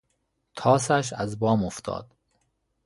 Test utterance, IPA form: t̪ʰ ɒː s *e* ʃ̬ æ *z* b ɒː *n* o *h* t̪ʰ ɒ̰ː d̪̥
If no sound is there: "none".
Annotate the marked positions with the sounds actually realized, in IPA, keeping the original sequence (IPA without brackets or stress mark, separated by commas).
æ, z, m, f